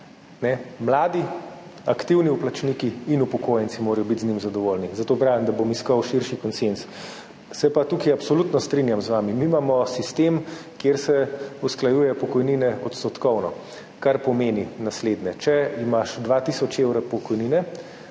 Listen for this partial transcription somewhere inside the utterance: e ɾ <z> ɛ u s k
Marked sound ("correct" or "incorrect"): incorrect